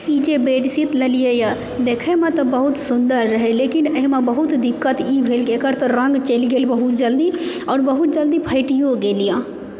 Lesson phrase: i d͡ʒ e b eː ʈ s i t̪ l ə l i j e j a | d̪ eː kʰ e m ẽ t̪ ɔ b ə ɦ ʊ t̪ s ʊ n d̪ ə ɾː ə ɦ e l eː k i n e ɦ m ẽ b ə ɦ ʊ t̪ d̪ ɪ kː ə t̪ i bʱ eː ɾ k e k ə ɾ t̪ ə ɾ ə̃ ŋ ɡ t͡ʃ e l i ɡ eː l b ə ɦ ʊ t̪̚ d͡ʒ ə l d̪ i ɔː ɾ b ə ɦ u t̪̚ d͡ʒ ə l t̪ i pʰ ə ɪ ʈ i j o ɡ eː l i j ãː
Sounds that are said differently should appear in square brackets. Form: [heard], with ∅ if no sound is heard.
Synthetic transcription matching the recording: i d͡ʒ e b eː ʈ s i t̪ l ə l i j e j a | d̪ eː kʰ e m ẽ t̪ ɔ b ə ɦ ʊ t̪ s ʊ n d̪ ə ɾː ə ɦ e l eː k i n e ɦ m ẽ b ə ɦ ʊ t̪ d̪ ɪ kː ə t̪ i bʱ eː [l] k e k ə ɾ t̪ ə ɾ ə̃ ŋ ɡ t͡ʃ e l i ɡ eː l b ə ɦ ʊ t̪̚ d͡ʒ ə l d̪ i ɔː ɾ b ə ɦ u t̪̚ d͡ʒ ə l [d̪] i pʰ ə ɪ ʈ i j o ɡ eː l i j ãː

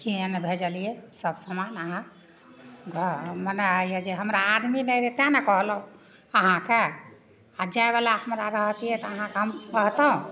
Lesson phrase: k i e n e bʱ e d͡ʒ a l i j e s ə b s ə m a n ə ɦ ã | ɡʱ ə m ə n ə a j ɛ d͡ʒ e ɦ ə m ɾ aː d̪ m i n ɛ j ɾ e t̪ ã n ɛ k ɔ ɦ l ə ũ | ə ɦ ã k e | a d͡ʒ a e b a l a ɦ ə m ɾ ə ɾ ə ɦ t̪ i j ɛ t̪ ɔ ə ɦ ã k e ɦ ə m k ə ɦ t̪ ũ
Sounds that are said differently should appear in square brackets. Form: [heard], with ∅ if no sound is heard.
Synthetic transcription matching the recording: k i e n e bʱ e d͡ʒ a l i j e s ə b s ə m a n ə ɦ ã | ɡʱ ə m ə n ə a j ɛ d͡ʒ e ɦ ə m ɾ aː d̪ m i n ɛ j ɾ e t̪ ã n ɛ k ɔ ɦ l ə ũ | ə ɦ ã k e | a d͡ʒ a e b a l a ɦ ə m ɾ [a] ɾ ə ɦ t̪ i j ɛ t̪ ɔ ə ɦ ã k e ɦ ə m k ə ɦ t̪ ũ

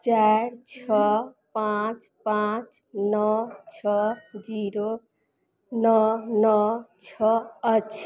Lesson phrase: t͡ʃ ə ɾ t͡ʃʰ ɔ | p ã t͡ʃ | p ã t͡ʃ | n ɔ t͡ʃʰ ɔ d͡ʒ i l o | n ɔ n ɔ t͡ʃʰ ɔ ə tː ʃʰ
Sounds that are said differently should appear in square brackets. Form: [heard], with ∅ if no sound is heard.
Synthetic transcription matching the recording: t͡ʃ [a] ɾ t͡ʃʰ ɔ | p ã t͡ʃ | p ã t͡ʃ | n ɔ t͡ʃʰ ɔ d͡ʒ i [ɾ] o | n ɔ n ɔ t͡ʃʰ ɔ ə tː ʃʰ

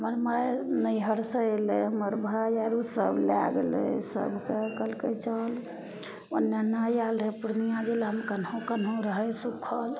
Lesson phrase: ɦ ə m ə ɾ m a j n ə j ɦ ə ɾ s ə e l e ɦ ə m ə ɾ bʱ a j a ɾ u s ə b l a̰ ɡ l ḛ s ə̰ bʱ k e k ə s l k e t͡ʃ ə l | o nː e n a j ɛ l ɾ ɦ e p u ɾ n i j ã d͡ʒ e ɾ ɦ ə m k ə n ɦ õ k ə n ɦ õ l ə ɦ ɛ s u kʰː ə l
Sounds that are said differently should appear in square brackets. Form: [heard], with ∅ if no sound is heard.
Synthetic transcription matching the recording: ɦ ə m ə ɾ m a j n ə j ɦ ə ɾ s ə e l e ɦ ə m ə ɾ bʱ a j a ɾ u s ə b l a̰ ɡ l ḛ s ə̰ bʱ k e k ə [∅] l k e t͡ʃ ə l | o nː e n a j [a] l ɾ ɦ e p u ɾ n i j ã d͡ʒ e [l] ɦ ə m k ə n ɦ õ k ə n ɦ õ [ɾ] ə ɦ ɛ s u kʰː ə l

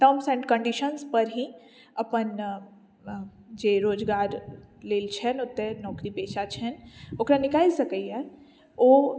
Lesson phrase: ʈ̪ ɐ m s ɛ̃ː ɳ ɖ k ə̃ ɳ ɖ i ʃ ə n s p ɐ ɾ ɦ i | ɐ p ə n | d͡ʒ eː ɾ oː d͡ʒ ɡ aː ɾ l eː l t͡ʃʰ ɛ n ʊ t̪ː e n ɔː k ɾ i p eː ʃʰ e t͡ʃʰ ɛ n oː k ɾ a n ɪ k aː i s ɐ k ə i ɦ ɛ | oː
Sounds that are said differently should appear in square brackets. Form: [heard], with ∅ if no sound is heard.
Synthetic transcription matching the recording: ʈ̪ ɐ m s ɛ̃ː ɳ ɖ k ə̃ ɳ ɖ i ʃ ə n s p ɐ ɾ ɦ i | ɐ p ə n | d͡ʒ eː ɾ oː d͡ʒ ɡ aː ɾ l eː l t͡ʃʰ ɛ n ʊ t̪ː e n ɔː k ɾ i p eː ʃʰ [a] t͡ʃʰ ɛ n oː k ɾ a n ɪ k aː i s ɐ k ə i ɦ ɛ | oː

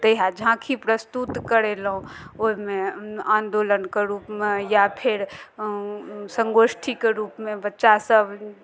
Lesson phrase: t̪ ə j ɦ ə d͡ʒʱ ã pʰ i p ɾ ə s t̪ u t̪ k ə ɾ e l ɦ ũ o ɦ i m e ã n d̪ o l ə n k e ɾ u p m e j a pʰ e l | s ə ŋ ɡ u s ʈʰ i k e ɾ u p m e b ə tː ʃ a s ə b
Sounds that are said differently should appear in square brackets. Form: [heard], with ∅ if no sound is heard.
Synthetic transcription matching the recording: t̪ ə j ɦ [a] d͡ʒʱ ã [kʰ] i p ɾ ə s t̪ u t̪ k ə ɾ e l ɦ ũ o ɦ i m e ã n d̪ o l ə n k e ɾ u p m e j a pʰ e [ɾ] | s ə ŋ ɡ [o] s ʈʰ i k e ɾ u p m e b ə tː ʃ a s ə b

